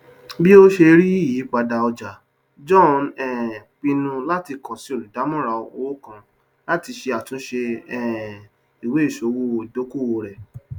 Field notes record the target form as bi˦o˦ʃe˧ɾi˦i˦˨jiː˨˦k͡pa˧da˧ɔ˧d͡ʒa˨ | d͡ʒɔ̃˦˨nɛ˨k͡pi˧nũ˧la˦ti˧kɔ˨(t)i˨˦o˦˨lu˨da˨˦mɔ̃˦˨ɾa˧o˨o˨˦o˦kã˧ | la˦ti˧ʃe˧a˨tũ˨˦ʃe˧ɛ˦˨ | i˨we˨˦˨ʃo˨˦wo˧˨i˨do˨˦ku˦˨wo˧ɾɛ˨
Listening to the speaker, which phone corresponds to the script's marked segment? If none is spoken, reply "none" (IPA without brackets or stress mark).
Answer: s